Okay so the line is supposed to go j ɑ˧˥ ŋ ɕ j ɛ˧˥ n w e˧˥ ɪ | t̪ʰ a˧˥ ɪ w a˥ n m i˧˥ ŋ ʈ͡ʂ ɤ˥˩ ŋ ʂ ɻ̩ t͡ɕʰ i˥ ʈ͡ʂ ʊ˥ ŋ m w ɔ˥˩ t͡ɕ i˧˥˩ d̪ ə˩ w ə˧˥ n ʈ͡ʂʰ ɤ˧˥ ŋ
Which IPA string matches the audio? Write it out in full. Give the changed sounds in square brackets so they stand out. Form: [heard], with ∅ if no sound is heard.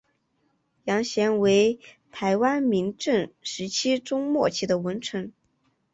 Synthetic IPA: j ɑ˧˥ ŋ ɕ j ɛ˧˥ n w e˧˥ ɪ | t̪ʰ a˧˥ ɪ w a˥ n m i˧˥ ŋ ʈ͡ʂ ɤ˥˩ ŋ ʂ ɻ̩ t͡ɕʰ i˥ ʈ͡ʂ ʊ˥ ŋ m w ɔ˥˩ [t͡ɕʰ] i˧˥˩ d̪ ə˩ w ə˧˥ n ʈ͡ʂʰ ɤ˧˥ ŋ